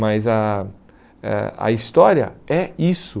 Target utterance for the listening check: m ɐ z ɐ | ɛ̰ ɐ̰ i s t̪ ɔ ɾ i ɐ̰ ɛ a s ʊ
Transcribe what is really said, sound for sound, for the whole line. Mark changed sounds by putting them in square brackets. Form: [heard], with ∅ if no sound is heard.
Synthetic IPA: m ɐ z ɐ | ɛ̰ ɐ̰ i s t̪ ɔ ɾ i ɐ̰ ɛ [i] s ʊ

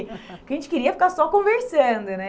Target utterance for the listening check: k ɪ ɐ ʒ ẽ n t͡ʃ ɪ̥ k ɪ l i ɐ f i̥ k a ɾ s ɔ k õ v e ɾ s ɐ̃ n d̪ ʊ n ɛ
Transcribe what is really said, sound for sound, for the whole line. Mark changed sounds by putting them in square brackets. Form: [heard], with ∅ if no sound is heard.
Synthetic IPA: k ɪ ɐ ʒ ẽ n t͡ʃ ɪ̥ k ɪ [ɾ] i ɐ f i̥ k a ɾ s ɔ k õ v e ɾ s ɐ̃ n d̪ ʊ n ɛ

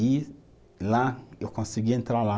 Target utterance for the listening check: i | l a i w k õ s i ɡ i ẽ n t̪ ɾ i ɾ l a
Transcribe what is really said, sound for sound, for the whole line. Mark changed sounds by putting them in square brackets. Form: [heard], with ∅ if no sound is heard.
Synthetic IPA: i | l a [e] w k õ s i ɡ i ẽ n t̪ ɾ [a] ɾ l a

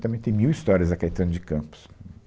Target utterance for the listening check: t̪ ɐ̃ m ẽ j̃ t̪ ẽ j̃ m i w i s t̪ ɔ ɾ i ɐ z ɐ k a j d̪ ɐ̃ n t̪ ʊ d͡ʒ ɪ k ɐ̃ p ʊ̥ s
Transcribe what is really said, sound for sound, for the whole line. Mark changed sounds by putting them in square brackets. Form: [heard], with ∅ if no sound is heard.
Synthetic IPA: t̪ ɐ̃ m ẽ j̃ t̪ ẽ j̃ m i w i s t̪ ɔ ɾ i ɐ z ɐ k a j [t̪] ɐ̃ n [d̪] ʊ d͡ʒ ɪ k ɐ̃ p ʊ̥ s

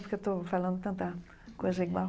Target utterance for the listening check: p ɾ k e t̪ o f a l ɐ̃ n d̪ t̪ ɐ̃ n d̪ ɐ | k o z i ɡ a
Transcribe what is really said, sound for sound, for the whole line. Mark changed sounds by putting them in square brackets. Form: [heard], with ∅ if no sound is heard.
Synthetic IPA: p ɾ k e t̪ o f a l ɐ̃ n d̪ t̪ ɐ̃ n [t̪] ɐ | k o z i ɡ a

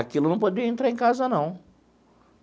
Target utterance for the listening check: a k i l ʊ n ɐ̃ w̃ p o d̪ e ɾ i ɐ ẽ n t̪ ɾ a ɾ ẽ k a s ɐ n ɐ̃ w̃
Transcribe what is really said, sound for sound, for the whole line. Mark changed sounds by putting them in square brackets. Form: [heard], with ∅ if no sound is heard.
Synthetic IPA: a k i l ʊ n ɐ̃ w̃ p o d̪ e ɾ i ɐ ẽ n t̪ ɾ a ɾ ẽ k a [z] ɐ n ɐ̃ w̃

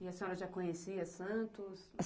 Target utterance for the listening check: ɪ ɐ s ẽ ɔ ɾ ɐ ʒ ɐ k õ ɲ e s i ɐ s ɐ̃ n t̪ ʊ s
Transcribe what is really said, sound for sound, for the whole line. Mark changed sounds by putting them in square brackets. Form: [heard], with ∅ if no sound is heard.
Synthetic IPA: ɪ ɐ s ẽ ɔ ɾ ɐ ʒ [a] k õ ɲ e s i ɐ s ɐ̃ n t̪ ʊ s

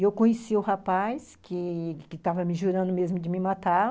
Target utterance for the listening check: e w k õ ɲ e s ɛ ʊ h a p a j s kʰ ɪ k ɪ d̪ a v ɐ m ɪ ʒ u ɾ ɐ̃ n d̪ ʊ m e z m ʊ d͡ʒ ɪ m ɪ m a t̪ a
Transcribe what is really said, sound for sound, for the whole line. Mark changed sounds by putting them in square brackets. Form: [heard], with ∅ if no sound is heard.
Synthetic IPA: e w k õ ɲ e s [i] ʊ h a p a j s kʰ ɪ k ɪ [t̪] a v ɐ m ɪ ʒ u ɾ ɐ̃ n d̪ ʊ m e z m ʊ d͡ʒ ɪ m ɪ m a t̪ a

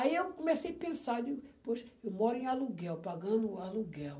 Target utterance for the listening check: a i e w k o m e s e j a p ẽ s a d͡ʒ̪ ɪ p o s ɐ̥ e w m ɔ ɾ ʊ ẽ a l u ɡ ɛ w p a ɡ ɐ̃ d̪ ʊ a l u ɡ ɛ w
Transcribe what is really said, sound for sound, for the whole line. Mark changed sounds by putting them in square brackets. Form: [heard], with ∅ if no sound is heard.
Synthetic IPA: a i e w k o m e s e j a p ẽ s a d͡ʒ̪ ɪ p o [ʃ] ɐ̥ e w m ɔ ɾ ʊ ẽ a l u ɡ ɛ w p a ɡ ɐ̃ d̪ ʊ a l u ɡ ɛ w

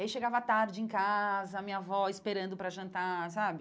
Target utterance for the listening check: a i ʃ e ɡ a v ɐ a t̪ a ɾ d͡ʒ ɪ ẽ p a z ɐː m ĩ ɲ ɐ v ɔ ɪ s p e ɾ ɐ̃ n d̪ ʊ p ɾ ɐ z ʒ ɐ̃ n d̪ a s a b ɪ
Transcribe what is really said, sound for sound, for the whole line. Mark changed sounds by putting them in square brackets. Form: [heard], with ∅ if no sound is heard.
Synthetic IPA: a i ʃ e ɡ a v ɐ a t̪ a ɾ d͡ʒ ɪ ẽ [k] a z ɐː m ĩ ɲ ɐ v ɔ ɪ s p e ɾ ɐ̃ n d̪ ʊ p ɾ ɐ [∅] ʒ ɐ̃ n [t̪] a s a b ɪ

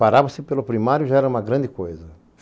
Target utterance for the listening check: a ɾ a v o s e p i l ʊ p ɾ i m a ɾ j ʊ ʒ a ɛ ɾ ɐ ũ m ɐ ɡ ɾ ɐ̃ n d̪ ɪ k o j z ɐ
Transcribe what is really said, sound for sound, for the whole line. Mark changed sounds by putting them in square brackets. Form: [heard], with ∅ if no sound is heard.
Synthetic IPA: a ɾ a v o s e p [e] l ʊ p ɾ i m a ɾ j ʊ ʒ a ɛ ɾ ɐ ũ m ɐ ɡ ɾ ɐ̃ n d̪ ɪ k o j z ɐ

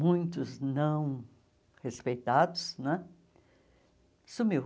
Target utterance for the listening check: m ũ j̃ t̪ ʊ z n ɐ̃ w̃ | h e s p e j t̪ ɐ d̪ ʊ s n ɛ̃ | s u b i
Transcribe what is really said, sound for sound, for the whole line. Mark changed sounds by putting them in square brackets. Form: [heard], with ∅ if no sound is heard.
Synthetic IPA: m ũ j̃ t̪ ʊ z n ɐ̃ w̃ | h e s p e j t̪ [a] d̪ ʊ s n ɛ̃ | s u [m] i

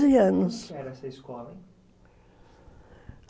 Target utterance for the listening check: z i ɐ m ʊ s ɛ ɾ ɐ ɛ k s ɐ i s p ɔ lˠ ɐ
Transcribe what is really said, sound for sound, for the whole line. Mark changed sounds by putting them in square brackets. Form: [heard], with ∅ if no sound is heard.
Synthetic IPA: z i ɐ [n] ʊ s ɛ ɾ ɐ ɛ [∅] s ɐ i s [k] ɔ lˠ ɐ

